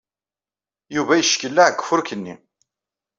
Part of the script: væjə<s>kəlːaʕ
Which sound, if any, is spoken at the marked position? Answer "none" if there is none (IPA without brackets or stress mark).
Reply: ʃ